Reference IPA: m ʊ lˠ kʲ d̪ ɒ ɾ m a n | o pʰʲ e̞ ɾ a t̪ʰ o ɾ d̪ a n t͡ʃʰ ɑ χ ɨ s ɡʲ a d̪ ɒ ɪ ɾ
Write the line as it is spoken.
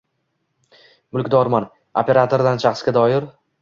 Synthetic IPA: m ʊ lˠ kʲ d̪ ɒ ɾ m a n | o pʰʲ e̞ ɾ a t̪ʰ o ɾ d̪ a n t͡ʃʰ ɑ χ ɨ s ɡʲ a d̪ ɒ ɪ ɾ